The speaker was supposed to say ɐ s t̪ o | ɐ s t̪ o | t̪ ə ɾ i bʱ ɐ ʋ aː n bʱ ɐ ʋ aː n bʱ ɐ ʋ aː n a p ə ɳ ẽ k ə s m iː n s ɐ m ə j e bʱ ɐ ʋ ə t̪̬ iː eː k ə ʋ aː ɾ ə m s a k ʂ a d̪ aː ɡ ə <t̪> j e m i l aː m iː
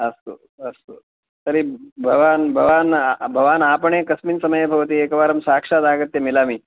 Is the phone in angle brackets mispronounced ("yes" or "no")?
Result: no